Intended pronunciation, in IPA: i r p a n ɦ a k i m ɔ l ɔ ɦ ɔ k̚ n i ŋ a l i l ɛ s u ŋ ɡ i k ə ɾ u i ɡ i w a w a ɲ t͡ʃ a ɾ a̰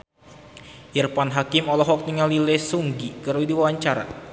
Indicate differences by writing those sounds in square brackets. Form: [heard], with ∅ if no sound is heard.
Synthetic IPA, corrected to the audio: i r p a n ɦ a k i m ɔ l ɔ ɦ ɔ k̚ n i ŋ a l i l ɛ s u ŋ ɡ i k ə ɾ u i [d] i w a w a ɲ t͡ʃ a ɾ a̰